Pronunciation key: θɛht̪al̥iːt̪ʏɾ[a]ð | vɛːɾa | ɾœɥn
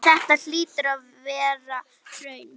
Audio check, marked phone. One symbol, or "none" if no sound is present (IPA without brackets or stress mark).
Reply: a